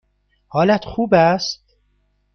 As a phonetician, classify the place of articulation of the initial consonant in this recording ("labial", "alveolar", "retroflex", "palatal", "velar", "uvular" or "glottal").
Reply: glottal